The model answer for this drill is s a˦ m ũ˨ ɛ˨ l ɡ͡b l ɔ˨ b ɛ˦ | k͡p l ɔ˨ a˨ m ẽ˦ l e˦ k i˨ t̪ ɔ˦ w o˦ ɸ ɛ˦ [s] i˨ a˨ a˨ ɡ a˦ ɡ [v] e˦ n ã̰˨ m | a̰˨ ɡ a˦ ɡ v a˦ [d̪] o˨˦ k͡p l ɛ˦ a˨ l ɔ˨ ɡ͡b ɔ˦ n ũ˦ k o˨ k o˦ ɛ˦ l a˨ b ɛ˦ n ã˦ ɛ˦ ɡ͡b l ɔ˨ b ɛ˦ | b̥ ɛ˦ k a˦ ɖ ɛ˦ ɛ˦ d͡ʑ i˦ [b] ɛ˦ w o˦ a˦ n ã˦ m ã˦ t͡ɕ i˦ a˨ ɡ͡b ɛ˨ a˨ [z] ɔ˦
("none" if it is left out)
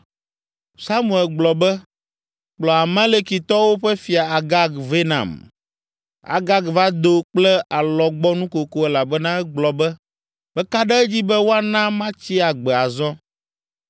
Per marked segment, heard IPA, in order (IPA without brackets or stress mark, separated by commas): f, v, d̪, b, z